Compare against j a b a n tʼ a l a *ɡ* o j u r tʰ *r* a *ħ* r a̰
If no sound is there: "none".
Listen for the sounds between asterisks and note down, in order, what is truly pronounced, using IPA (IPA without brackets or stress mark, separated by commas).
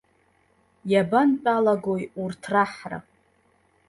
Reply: ɡ, r, ħ